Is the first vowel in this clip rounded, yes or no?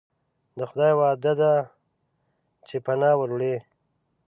no